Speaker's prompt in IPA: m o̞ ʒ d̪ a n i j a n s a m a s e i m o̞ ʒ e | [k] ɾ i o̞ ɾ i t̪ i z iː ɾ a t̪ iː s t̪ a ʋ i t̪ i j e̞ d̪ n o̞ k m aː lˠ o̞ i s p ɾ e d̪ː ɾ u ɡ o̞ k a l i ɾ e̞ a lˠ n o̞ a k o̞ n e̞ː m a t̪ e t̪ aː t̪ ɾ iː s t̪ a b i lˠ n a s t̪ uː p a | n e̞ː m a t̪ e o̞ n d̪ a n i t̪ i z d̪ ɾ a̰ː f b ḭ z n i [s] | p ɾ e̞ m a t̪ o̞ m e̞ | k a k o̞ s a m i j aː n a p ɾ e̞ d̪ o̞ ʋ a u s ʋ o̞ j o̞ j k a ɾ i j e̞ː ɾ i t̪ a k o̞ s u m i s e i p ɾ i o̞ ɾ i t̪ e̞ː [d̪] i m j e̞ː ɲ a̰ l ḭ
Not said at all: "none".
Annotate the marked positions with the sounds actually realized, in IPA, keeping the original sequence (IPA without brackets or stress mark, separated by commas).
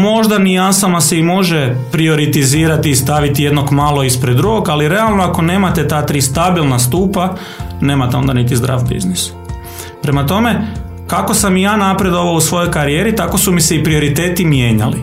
p, s, t̪